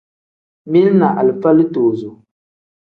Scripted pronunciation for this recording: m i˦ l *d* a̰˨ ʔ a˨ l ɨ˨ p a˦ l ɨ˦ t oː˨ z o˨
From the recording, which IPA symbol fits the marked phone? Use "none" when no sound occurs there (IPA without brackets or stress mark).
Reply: n